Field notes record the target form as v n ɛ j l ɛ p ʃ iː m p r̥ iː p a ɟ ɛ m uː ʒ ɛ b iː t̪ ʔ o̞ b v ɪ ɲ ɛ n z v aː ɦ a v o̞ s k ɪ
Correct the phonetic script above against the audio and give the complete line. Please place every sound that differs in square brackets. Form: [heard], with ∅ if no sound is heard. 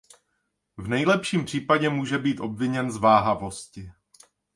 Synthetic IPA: v n ɛ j l ɛ p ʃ iː m p r̥ iː p a ɟ ɛ m uː ʒ ɛ b iː t̪ ʔ o̞ b v ɪ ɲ ɛ n z v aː ɦ a v o̞ s [c] ɪ